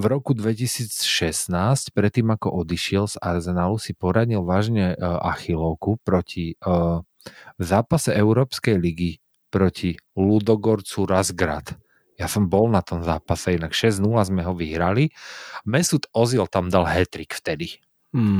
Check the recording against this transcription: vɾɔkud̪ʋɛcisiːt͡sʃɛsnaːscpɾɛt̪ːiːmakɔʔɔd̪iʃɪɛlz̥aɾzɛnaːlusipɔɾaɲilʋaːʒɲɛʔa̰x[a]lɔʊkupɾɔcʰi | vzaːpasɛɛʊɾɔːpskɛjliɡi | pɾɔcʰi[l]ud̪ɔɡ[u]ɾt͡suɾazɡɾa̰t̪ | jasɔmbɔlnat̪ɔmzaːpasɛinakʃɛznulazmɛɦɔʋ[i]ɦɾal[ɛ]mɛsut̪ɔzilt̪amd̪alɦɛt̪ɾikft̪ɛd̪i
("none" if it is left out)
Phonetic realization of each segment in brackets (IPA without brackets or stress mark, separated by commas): i, l, ɔ, i, i